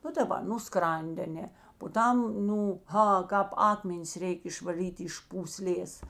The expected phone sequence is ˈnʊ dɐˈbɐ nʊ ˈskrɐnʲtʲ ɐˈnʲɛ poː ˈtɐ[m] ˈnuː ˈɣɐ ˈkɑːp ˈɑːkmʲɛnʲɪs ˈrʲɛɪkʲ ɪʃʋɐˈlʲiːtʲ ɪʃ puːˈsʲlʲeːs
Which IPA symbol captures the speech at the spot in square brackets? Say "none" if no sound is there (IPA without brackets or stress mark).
m